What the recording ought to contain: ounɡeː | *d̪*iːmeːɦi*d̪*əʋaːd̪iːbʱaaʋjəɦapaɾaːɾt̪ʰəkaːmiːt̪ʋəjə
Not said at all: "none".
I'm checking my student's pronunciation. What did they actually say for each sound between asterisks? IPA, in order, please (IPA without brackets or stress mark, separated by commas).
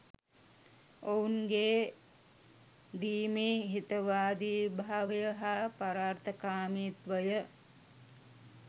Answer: d̪, t̪